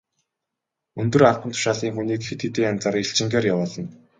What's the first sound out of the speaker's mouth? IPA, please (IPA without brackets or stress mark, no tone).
ɵ